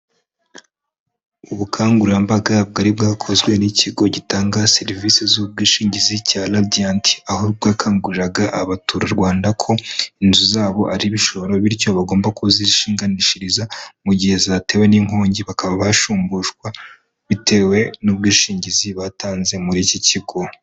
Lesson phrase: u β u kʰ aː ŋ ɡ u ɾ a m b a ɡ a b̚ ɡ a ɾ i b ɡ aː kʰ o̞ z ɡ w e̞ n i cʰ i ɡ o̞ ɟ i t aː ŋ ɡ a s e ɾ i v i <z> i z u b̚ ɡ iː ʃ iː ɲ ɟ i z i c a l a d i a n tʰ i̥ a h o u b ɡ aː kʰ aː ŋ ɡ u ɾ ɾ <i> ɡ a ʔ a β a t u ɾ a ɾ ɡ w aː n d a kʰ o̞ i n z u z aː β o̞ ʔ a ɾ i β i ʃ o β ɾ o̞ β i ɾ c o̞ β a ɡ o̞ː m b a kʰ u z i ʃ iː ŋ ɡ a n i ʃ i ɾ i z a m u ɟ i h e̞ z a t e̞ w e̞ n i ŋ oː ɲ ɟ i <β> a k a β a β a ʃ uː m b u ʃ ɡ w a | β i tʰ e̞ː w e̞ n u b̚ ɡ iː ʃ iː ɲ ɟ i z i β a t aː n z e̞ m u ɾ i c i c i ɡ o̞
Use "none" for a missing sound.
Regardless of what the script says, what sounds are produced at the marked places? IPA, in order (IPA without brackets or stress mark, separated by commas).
s, a, β